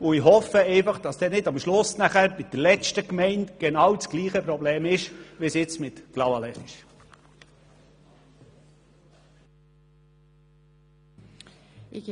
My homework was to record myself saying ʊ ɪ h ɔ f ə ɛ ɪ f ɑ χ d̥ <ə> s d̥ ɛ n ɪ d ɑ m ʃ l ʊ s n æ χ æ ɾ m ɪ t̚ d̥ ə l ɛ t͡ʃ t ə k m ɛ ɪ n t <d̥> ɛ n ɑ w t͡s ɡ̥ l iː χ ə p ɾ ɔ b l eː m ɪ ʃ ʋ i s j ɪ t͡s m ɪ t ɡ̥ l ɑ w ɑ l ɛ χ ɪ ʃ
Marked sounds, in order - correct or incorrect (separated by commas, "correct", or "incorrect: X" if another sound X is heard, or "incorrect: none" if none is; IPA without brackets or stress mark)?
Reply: incorrect: ɑ, incorrect: ɡ̥